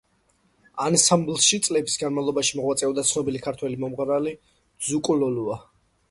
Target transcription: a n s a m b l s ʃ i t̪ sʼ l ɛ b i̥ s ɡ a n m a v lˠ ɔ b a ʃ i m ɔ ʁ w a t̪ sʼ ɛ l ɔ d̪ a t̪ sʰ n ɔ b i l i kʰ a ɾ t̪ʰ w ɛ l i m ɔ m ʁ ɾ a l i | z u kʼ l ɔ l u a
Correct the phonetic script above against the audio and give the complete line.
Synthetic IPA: a n s a m b l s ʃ i t̪ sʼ l ɛ b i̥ s ɡ a n m a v lˠ ɔ b a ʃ i m ɔ ʁ w a t̪ sʼ ɛ ɔ d̪ a t̪ sʰ n ɔ b i l i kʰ a ɾ t̪ʰ w ɛ l i m ɔ m ʁ ɾ a l i | z u kʼ l ɔ l u a